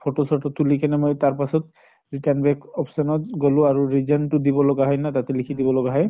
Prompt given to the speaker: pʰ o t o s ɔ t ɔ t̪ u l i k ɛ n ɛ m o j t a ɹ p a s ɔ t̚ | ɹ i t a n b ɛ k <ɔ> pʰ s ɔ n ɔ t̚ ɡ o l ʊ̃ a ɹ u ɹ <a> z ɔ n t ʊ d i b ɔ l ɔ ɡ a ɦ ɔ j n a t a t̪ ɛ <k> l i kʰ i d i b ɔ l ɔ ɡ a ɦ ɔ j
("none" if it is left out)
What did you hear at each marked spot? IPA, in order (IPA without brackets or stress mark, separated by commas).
ɔ, i, none